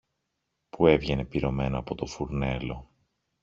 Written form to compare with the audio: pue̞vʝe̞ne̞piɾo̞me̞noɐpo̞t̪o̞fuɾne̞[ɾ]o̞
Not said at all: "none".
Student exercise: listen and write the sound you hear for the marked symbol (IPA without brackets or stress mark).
l